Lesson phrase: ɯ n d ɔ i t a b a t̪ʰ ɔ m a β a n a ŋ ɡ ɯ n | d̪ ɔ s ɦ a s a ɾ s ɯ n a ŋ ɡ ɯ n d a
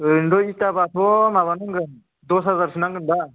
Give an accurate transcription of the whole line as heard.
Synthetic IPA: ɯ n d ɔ i t a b a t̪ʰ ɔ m a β a n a ŋ ɡ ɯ n | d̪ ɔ s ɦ a z a ɾ s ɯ n a ŋ ɡ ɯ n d a